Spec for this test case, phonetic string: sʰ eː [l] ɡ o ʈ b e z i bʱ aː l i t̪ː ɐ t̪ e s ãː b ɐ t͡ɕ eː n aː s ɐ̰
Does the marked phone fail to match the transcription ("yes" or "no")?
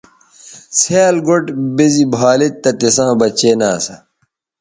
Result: no